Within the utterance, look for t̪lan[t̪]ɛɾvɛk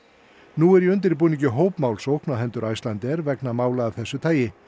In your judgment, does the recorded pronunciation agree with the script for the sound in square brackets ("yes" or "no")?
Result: yes